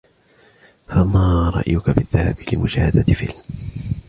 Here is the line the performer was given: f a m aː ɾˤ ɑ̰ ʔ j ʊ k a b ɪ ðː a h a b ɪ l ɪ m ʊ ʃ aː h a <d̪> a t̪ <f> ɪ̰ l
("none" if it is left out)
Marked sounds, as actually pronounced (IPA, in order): d̪, f

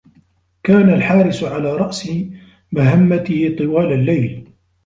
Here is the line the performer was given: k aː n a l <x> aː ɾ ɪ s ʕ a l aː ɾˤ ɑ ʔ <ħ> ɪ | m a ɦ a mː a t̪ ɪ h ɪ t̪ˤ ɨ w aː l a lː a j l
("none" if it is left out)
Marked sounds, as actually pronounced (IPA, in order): ħ, s

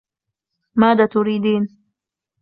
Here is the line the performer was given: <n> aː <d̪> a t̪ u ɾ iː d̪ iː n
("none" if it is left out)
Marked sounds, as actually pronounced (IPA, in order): m, d̪

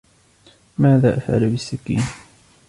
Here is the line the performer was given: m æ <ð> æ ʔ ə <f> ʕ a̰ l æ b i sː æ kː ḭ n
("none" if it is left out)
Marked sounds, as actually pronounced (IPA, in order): ð, f

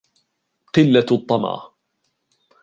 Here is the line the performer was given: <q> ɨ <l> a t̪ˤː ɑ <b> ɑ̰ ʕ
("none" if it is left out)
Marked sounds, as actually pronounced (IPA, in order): q, lː, m

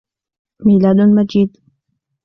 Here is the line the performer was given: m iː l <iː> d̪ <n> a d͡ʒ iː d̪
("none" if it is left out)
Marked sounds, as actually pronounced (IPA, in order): aː, m

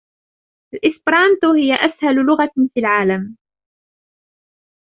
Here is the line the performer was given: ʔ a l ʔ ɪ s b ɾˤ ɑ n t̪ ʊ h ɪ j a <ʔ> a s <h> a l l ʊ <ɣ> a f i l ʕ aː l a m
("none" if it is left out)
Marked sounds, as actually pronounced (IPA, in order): ʔ, h, ɣ

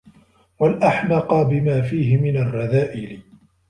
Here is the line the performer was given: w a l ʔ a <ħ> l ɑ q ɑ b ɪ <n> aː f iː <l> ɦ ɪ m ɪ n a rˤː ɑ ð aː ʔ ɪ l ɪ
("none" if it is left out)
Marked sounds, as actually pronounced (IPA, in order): ħ, m, none

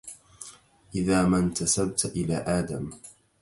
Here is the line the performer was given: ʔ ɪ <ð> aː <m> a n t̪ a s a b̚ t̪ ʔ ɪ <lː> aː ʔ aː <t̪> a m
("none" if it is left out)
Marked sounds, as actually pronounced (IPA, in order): ð, m, l, d̪

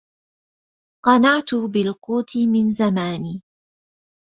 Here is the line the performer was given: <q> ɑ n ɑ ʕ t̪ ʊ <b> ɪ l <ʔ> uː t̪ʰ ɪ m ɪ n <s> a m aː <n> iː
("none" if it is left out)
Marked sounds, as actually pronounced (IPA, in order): q, b, q, z, n

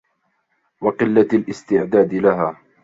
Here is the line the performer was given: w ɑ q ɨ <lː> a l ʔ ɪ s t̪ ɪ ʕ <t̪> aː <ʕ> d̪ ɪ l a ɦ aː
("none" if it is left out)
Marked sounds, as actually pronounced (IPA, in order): lː, d̪, none

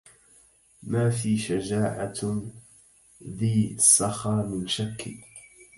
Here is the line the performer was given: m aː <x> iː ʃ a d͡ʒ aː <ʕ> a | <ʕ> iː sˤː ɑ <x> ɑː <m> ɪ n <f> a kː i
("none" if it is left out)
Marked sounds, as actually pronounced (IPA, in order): f, ʕ, ð, x, m, ʃ

